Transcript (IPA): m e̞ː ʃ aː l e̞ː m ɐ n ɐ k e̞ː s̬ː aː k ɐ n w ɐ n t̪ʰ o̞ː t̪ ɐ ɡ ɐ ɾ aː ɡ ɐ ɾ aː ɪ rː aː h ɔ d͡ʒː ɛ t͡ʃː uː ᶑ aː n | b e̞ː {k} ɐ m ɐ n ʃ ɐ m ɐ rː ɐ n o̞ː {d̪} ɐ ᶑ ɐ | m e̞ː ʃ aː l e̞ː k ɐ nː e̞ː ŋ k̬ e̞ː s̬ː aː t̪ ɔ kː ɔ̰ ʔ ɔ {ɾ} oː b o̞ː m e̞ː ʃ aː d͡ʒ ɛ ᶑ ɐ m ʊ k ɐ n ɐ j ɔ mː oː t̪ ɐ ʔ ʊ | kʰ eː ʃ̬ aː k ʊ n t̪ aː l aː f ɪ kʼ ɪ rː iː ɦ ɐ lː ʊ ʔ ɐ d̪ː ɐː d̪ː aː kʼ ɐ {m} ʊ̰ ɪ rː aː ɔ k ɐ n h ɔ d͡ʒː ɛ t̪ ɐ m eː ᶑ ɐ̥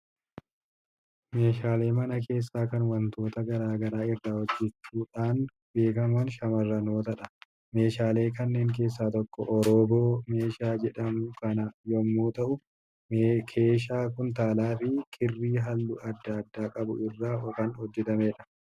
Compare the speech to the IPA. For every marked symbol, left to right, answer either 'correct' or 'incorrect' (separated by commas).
correct, incorrect, correct, incorrect